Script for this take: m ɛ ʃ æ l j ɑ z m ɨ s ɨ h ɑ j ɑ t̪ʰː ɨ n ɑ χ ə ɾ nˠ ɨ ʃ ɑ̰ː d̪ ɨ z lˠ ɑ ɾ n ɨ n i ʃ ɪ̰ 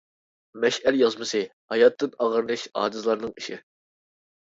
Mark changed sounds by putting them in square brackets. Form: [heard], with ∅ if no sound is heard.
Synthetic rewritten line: m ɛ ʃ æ l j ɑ z m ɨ s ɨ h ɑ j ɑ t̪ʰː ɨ n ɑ [ʁ] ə ɾ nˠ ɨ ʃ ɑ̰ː d̪ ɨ z lˠ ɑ ɾ n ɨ [ŋ] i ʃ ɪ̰